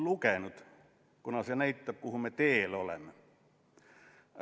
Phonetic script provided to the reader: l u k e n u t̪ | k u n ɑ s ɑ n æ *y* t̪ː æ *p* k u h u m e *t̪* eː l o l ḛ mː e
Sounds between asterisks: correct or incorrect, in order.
incorrect: i, correct, correct

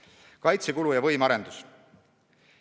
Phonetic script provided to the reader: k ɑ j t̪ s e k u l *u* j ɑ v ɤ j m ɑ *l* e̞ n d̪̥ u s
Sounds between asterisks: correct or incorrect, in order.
correct, incorrect: ɾ

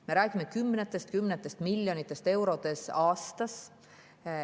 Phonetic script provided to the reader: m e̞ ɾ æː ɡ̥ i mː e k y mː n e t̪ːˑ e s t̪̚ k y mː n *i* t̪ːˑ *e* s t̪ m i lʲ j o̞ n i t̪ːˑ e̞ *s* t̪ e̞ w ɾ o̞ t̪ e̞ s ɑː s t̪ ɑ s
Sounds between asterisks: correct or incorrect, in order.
incorrect: e, correct, correct

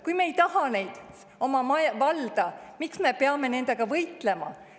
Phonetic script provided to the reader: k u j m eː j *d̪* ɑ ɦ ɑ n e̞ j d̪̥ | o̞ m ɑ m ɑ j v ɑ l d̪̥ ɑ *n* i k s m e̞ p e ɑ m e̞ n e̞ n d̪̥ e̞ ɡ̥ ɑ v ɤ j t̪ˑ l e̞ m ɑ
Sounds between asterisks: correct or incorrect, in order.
incorrect: t̪, incorrect: m

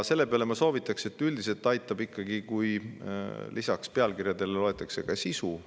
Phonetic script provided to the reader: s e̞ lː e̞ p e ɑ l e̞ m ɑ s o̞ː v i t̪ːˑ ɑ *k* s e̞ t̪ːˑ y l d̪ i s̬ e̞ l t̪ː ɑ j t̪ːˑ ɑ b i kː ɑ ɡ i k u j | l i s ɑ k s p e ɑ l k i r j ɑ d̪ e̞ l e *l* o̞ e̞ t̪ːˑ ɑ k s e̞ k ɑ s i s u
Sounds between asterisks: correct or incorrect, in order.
correct, correct

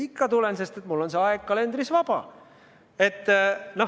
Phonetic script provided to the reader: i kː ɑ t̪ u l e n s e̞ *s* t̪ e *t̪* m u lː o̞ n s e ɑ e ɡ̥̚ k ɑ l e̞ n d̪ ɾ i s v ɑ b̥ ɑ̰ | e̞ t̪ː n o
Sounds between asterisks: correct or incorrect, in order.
correct, correct

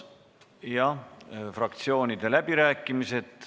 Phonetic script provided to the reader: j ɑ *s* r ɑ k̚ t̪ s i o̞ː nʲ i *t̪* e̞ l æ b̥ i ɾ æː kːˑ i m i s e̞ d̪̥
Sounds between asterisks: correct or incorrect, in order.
incorrect: f, incorrect: d̪

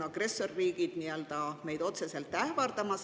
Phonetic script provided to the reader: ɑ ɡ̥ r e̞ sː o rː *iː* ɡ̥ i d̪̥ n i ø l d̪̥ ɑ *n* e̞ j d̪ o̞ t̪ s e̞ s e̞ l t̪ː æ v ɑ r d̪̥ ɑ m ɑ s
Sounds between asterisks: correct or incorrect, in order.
correct, incorrect: m

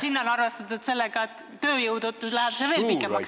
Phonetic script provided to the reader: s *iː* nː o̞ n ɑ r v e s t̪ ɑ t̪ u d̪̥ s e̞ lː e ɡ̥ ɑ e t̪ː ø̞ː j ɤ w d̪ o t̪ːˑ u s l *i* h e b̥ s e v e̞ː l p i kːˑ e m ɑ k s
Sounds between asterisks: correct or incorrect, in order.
incorrect: i, incorrect: æ

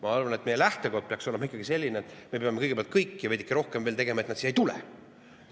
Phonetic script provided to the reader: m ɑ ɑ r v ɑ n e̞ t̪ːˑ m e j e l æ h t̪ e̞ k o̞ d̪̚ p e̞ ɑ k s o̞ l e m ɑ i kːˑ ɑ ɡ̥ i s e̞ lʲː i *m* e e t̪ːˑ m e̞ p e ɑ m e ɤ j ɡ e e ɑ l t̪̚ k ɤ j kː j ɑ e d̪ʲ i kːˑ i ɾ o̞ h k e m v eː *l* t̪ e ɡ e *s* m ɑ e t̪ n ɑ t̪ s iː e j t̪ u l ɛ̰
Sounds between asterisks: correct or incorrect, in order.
incorrect: n, correct, incorrect: none

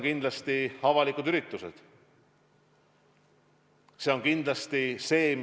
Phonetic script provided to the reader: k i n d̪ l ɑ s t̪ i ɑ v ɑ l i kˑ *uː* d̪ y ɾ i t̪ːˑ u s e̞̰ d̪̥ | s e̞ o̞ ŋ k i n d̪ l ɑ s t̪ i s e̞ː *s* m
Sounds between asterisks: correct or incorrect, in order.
incorrect: u, incorrect: none

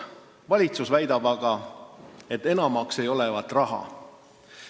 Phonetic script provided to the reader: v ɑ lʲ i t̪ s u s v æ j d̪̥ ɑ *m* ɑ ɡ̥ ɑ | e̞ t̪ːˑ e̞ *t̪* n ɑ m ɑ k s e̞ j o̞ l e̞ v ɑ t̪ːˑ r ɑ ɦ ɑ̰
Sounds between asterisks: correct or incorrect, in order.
incorrect: b, incorrect: none

